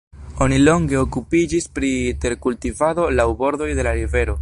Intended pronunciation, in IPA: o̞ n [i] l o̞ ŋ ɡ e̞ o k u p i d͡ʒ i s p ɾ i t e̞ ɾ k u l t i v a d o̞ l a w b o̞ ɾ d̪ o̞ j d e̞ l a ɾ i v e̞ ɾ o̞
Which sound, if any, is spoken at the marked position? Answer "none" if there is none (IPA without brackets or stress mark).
i